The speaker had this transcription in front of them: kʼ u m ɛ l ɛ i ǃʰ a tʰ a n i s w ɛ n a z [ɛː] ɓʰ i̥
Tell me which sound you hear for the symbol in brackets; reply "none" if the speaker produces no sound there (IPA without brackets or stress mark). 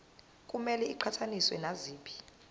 iː